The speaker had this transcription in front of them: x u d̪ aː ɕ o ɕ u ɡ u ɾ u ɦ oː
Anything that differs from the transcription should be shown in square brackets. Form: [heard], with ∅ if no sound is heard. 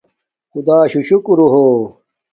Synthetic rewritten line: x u d̪ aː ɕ [u] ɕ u [k] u ɾ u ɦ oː